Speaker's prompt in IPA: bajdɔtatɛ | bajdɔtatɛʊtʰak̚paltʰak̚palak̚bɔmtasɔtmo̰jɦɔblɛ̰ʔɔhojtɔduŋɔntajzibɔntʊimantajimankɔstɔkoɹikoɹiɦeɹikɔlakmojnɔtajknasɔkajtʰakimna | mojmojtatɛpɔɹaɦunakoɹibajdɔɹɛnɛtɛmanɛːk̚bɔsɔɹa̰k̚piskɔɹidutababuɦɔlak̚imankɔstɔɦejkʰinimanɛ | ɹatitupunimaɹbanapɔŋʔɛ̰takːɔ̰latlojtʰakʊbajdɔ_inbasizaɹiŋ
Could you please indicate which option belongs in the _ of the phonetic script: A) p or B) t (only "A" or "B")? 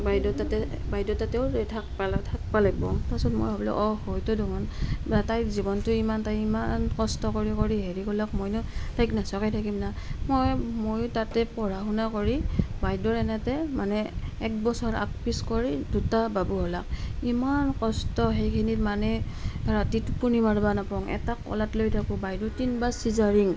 B